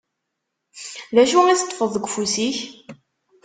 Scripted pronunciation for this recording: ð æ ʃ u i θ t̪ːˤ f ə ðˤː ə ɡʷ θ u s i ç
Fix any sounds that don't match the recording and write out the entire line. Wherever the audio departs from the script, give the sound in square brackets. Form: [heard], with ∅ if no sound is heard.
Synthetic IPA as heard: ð æ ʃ u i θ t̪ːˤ f ə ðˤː ə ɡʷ [f] u s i ç